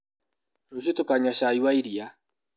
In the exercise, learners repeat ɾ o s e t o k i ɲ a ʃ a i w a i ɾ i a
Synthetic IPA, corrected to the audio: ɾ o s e t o k a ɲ a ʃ a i w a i ɾ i a